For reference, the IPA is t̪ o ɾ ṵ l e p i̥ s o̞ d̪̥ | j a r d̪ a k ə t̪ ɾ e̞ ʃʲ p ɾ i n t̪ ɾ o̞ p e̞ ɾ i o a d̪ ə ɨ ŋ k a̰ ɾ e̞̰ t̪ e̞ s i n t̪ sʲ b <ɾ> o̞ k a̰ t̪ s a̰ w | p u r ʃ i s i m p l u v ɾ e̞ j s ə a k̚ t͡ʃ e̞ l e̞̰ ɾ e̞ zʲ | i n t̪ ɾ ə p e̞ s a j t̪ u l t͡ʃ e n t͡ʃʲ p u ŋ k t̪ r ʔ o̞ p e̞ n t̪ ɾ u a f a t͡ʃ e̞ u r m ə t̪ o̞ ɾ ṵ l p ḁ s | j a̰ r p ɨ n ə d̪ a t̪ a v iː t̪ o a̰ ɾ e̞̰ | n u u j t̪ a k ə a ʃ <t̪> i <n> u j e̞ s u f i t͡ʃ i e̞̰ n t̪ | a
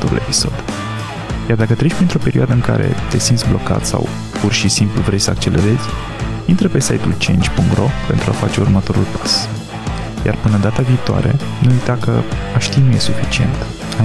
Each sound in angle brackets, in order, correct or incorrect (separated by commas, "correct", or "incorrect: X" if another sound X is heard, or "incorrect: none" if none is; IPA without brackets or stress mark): incorrect: l, correct, correct